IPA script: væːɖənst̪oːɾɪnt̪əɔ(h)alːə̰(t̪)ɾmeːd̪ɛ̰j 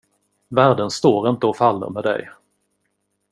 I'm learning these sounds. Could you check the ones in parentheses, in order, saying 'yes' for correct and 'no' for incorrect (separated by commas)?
no, no